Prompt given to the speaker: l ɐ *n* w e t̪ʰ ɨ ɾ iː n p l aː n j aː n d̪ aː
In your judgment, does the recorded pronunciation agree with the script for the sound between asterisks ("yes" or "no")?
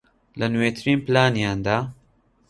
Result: yes